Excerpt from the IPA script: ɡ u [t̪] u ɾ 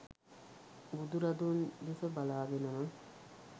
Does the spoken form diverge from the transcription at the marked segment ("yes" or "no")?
yes